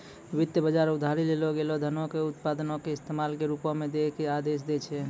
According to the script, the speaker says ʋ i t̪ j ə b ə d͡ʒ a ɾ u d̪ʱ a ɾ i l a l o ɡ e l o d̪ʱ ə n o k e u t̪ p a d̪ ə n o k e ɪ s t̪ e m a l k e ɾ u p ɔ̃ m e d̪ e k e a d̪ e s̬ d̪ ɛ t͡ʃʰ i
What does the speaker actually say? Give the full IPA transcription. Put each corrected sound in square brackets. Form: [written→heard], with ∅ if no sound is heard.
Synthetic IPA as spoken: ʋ i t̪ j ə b ə d͡ʒ a ɾ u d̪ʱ a ɾ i l [a→e] l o ɡ e l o d̪ʱ ə n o k e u t̪ p a d̪ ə n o k e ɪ s t̪ e m a l k e ɾ u p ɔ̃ m e d̪ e k e a d̪ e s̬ d̪ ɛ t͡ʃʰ [i→ɛ]